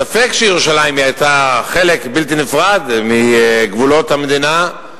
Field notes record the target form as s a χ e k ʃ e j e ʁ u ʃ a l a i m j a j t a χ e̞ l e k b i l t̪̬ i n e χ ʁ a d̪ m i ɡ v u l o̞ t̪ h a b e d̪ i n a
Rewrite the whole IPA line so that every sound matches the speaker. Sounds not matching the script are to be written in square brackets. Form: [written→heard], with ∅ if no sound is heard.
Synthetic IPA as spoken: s a [χ→f] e k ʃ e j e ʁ u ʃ a l a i m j a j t a χ e̞ l e k b i l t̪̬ i n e [χ→f] ʁ a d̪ m i ɡ v u l o̞ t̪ h a [b→m] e d̪ i n a